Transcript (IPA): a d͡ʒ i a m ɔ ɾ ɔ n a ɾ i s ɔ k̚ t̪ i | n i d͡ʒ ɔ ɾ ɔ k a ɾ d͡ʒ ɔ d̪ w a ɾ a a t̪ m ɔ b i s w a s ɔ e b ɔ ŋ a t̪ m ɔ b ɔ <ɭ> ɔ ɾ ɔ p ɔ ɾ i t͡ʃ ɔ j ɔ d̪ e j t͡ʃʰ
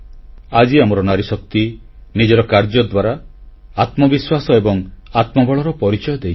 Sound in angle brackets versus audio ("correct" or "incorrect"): correct